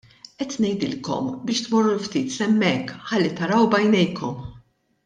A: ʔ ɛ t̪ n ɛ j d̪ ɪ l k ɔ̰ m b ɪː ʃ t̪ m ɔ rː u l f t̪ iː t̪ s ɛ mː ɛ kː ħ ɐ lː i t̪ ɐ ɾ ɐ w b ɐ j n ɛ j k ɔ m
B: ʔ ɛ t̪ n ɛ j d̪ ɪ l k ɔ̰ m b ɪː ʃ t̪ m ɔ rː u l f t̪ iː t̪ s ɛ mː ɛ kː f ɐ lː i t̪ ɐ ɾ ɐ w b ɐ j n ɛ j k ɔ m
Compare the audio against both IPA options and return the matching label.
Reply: A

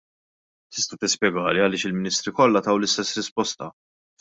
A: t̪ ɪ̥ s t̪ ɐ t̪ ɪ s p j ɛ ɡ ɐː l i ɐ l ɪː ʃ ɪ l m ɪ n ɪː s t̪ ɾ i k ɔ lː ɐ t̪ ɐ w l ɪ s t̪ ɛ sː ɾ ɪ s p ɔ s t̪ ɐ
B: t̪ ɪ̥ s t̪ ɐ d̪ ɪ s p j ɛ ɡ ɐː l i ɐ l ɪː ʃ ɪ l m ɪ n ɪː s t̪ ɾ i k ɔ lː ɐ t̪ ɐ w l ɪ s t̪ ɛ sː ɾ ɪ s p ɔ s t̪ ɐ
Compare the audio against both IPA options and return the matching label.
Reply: A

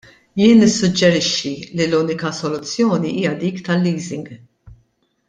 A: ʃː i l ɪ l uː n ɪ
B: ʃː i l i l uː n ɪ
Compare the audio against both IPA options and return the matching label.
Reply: B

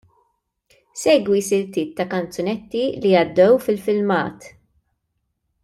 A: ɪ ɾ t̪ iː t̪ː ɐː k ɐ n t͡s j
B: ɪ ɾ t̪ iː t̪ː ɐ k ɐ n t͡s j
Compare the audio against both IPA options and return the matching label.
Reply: B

